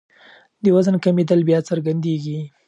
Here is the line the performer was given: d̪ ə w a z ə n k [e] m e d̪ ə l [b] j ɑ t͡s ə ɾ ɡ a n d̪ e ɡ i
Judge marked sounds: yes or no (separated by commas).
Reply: no, yes